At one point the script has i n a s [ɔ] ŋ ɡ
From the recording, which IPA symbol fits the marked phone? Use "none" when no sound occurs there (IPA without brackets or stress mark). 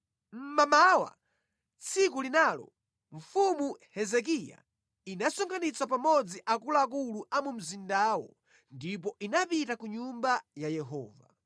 ɔ